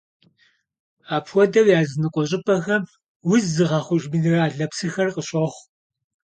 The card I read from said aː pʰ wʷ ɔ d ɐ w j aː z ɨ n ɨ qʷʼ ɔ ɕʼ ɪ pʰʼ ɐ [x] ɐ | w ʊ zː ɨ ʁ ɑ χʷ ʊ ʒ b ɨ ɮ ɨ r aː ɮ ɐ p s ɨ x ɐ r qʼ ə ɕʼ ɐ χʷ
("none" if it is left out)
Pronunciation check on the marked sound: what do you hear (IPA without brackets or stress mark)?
x